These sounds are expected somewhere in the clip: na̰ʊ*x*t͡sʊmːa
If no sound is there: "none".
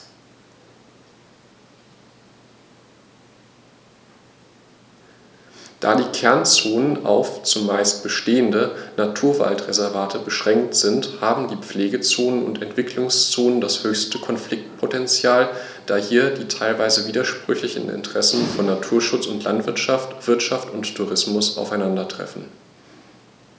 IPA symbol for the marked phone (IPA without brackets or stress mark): f